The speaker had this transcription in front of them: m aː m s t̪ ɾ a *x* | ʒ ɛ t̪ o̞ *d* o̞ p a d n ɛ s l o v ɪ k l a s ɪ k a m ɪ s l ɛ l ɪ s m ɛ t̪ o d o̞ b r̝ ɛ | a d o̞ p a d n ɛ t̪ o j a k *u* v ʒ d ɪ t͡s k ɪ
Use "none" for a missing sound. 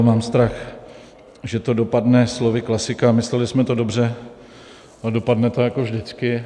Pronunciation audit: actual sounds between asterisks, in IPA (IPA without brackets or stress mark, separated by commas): x, d, o